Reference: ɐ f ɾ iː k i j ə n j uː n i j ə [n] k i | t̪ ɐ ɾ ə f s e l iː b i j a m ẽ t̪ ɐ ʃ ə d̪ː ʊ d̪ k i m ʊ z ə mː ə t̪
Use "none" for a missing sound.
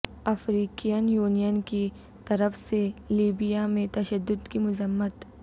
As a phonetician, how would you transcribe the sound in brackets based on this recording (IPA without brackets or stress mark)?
n